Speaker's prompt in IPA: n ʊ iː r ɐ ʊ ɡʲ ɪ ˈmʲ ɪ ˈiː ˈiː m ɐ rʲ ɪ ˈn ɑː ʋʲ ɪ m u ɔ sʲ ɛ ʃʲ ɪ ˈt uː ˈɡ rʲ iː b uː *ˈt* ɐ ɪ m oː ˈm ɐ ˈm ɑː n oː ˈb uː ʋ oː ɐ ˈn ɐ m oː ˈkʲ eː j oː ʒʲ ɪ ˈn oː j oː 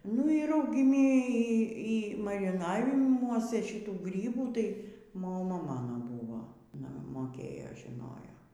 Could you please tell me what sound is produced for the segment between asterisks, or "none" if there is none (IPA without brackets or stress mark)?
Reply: t